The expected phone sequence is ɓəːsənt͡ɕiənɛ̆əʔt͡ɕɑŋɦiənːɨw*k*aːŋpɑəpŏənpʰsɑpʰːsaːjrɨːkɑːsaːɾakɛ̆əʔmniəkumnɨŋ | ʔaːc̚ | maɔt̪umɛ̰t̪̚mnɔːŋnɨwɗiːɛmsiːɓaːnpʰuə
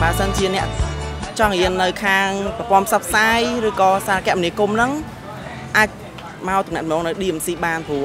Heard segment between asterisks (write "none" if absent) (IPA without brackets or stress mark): kʰ